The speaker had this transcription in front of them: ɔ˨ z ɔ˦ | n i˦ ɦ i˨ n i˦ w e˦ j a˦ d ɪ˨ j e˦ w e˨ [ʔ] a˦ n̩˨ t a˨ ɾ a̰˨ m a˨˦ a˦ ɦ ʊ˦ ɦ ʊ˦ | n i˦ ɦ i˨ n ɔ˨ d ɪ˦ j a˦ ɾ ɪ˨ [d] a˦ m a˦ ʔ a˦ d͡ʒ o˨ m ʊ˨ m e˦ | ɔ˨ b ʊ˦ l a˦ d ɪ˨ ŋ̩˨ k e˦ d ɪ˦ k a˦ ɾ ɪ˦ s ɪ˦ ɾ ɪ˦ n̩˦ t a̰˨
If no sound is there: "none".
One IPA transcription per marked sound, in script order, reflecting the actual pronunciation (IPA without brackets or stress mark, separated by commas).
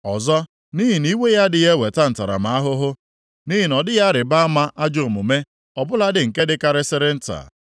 t, b